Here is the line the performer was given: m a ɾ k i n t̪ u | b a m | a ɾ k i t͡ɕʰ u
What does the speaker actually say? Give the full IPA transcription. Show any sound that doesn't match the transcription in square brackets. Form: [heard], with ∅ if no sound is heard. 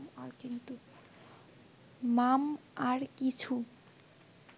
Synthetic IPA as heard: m a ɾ k i n t̪ u | [m] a m | a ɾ k i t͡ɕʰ u